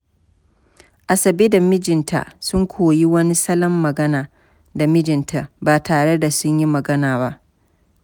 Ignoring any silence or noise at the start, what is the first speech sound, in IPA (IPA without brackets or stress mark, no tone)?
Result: ʔ